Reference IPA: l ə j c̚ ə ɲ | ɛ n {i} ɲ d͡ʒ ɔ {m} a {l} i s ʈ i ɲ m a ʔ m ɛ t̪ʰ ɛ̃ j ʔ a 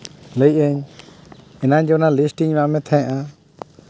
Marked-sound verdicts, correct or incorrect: incorrect, incorrect, correct

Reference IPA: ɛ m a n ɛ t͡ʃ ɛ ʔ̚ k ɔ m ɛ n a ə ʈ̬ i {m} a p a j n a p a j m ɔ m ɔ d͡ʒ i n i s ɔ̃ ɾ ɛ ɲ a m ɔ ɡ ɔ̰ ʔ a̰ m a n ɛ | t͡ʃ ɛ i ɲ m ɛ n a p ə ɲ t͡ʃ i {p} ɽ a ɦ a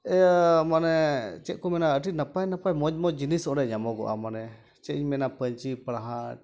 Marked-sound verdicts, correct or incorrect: incorrect, correct

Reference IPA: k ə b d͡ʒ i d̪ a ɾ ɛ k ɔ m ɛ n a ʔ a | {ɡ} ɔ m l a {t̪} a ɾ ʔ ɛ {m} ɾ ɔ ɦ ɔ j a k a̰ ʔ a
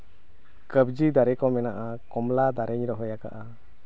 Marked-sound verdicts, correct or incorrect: incorrect, incorrect, incorrect

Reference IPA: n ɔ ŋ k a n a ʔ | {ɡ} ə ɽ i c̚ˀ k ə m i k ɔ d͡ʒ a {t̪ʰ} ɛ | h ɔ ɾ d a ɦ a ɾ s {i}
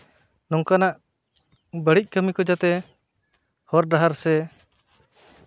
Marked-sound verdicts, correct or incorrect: incorrect, incorrect, incorrect

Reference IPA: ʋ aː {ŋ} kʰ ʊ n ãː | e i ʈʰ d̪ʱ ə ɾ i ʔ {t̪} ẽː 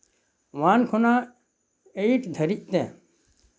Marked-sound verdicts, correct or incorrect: incorrect, correct

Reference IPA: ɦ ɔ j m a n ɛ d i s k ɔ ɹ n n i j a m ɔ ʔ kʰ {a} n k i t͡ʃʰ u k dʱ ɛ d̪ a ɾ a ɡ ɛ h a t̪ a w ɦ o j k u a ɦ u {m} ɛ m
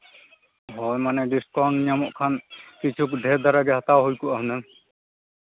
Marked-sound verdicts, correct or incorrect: correct, incorrect

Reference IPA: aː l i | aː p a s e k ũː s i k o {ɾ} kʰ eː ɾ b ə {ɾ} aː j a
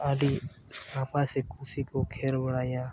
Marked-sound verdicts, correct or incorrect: incorrect, incorrect

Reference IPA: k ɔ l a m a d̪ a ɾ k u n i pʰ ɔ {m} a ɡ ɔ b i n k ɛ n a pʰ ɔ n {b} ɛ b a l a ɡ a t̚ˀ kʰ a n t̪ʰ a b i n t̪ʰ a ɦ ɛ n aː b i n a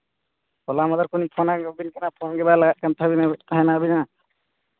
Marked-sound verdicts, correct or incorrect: incorrect, incorrect

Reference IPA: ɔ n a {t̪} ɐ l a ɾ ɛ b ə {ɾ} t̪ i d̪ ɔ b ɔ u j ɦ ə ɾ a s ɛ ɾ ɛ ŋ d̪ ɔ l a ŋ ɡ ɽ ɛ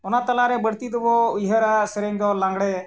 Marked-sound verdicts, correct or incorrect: correct, incorrect

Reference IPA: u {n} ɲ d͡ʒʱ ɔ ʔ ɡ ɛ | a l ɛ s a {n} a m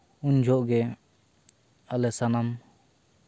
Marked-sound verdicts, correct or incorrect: incorrect, correct

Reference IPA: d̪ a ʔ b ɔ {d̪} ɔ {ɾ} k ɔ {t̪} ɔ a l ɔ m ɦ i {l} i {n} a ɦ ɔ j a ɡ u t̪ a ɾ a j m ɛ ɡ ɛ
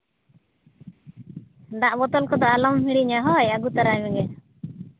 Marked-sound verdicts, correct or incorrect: incorrect, incorrect, incorrect, incorrect, incorrect

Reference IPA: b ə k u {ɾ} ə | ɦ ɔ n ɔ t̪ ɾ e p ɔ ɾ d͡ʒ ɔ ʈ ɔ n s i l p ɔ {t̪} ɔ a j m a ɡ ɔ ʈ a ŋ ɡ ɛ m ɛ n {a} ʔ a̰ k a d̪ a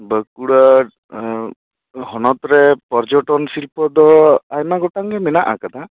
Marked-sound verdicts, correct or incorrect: incorrect, incorrect, correct

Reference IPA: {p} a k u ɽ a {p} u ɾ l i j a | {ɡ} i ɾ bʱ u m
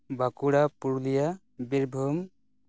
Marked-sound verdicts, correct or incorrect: incorrect, correct, incorrect

